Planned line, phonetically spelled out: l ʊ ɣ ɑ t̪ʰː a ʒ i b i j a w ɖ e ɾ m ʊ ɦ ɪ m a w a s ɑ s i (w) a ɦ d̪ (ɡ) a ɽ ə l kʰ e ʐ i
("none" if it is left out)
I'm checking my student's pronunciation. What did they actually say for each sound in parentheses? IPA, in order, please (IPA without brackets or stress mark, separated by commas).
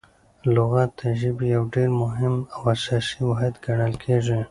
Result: w, ɡ